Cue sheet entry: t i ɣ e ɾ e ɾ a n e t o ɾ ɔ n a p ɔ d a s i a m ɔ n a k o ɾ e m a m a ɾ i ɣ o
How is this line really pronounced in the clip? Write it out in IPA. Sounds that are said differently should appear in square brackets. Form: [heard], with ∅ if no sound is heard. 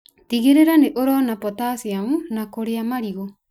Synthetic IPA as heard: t i ɣ e ɾ e ɾ a n e [ʔ] o ɾ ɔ n a p ɔ [t] a s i a m [u] n a k o ɾ e [∅] a m a ɾ i ɣ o